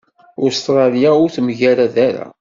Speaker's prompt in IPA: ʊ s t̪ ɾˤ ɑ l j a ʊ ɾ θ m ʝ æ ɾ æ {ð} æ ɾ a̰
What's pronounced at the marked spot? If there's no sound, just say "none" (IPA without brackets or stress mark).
ð